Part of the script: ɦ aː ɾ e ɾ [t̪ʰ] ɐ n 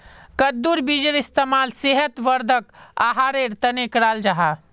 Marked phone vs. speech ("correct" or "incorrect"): incorrect